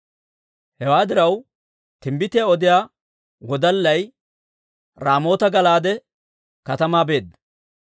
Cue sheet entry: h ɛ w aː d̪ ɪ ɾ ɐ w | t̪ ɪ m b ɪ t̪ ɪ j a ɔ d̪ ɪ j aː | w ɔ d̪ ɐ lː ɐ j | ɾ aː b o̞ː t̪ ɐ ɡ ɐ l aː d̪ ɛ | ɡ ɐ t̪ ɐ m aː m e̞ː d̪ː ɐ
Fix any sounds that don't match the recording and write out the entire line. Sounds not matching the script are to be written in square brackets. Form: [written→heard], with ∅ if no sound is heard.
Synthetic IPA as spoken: h ɛ w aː d̪ ɪ ɾ ɐ w | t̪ ɪ m b ɪ t̪ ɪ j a ɔ d̪ ɪ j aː | w ɔ d̪ ɐ lː ɐ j | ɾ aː [b→m] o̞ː t̪ ɐ ɡ ɐ l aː d̪ ɛ | [ɡ→k] ɐ t̪ ɐ m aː [m→b] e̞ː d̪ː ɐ